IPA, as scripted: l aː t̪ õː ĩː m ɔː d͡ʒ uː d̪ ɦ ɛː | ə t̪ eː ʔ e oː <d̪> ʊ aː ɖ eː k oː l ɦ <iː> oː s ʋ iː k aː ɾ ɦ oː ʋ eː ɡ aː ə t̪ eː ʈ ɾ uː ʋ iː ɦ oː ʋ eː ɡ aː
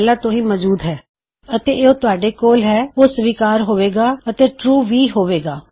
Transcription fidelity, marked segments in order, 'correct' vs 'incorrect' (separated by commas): incorrect, incorrect